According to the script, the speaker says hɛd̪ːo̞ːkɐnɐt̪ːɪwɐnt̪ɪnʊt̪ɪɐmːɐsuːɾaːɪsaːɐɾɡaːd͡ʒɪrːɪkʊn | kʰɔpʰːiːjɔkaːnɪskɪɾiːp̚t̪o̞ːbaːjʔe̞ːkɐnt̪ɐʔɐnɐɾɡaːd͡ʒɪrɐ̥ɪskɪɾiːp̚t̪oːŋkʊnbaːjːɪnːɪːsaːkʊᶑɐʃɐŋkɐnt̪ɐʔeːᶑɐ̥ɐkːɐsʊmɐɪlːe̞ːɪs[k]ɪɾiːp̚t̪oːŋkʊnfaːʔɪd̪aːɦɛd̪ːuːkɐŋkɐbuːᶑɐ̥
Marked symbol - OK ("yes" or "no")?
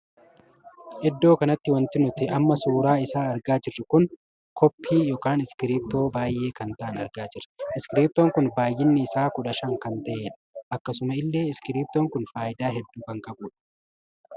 yes